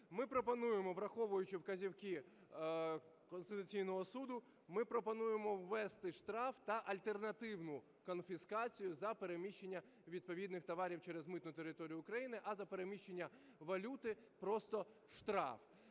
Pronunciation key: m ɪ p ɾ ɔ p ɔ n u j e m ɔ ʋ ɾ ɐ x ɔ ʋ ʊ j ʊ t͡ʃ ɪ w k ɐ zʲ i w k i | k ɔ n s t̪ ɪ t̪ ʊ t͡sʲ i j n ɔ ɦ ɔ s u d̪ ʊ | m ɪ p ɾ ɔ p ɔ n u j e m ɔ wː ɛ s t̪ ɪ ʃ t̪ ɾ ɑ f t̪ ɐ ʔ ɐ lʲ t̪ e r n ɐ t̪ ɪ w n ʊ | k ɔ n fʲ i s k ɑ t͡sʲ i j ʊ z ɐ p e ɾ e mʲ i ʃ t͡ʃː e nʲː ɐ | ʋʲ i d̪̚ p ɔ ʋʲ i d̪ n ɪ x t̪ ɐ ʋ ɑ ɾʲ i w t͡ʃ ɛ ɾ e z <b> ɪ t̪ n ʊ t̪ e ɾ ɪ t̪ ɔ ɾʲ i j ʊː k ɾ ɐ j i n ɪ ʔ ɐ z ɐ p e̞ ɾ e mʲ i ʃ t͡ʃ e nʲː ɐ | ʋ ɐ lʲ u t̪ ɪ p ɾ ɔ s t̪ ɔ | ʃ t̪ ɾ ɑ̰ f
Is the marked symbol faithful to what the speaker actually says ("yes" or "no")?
no